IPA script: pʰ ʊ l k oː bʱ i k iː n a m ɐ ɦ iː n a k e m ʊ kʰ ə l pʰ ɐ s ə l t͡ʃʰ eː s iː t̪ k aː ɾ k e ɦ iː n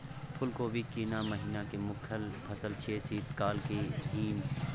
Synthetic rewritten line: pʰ ʊ l k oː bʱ i k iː n a m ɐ ɦ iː n a k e m ʊ kʰ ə l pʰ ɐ s ə l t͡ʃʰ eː s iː t̪ k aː l k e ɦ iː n